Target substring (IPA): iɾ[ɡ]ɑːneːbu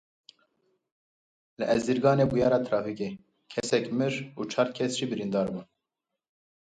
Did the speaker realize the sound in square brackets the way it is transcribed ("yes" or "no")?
yes